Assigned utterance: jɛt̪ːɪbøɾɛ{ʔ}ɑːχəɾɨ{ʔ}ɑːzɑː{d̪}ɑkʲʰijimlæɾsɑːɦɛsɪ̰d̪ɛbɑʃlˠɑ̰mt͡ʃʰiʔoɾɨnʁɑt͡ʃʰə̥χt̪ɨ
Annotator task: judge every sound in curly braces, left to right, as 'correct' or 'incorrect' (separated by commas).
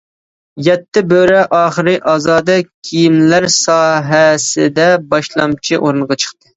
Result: correct, correct, correct